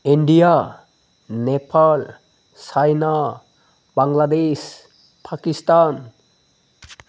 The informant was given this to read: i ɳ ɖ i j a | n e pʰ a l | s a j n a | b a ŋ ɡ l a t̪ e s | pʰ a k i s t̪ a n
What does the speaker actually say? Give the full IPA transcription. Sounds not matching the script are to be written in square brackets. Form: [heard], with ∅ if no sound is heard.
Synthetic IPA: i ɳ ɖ i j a | n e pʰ a l | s a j n a | b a ŋ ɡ l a [d̪] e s | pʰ a k i s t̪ a n